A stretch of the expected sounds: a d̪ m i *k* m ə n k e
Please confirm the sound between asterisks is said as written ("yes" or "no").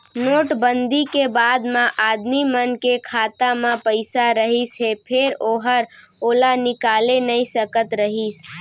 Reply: no